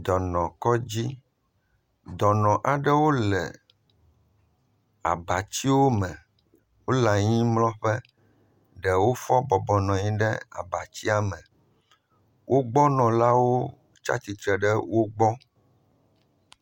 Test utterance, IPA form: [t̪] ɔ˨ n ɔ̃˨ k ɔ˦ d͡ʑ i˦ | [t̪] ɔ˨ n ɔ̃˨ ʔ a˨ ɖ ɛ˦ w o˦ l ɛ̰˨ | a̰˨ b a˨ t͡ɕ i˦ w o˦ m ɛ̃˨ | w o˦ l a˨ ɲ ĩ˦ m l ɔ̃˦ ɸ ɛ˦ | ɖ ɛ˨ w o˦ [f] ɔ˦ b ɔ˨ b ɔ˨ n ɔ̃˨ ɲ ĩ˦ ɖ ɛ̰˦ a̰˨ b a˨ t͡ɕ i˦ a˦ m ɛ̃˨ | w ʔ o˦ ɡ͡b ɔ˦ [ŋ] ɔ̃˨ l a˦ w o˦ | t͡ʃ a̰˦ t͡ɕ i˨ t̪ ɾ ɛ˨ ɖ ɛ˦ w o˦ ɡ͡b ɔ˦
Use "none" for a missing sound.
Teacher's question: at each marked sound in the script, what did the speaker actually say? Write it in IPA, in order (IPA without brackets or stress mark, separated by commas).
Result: d̪, d̪, f, n